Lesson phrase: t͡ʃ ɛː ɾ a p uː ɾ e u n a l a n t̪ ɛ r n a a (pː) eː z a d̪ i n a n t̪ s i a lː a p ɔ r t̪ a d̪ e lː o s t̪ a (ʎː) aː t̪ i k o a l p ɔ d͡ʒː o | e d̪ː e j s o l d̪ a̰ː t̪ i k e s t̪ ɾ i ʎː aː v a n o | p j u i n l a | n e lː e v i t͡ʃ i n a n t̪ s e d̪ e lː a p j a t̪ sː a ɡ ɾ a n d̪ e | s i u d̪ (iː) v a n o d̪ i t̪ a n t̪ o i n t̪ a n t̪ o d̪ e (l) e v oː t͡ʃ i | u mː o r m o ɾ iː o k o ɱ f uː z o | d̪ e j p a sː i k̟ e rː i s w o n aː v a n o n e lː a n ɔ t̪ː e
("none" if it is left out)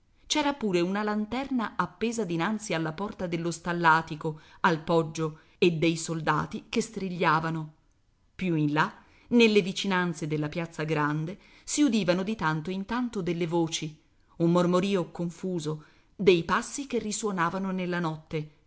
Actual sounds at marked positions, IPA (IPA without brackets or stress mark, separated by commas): pː, lː, iː, lː